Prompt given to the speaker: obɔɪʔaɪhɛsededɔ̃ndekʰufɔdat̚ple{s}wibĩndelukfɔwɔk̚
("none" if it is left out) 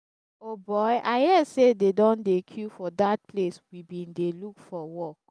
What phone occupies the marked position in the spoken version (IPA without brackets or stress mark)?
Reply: s